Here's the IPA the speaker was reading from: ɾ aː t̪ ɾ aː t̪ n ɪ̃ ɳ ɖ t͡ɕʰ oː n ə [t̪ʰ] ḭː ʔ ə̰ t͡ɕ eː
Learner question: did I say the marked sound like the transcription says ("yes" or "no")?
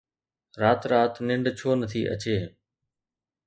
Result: yes